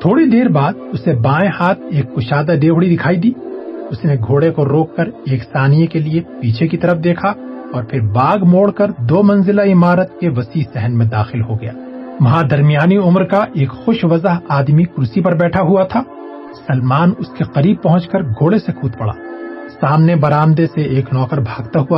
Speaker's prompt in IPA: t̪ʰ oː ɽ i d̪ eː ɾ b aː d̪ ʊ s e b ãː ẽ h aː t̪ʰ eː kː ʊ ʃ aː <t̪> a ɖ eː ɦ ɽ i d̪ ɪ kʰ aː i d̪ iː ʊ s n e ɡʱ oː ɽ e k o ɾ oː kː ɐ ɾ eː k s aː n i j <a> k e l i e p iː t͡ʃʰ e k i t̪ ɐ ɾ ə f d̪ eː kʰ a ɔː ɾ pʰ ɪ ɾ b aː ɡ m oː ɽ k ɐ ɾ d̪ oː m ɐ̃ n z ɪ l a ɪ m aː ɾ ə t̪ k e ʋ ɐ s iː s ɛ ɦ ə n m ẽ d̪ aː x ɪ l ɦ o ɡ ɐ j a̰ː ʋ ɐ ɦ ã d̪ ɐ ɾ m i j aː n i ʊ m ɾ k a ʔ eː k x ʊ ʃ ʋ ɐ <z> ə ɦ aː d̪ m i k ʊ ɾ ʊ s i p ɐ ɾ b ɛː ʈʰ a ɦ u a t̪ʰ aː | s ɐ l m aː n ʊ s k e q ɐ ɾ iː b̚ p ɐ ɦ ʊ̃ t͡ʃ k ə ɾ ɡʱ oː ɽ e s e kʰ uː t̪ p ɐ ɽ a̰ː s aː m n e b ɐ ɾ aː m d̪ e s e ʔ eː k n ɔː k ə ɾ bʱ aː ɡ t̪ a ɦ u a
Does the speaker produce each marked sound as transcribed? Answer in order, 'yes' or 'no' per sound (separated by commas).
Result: no, no, yes